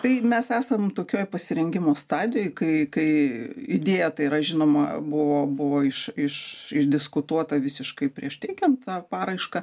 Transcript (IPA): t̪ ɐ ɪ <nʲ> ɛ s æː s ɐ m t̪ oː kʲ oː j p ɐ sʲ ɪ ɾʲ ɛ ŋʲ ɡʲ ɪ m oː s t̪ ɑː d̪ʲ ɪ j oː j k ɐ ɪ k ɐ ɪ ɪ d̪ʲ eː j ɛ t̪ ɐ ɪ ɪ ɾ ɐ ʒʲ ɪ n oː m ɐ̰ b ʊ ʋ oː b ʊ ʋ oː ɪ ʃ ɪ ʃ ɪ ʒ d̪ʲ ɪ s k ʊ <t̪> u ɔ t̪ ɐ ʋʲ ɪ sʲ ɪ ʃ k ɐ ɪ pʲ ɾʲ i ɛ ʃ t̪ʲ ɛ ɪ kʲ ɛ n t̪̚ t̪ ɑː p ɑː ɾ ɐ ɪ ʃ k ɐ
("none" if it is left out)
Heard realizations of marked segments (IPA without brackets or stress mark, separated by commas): mʲ, t̪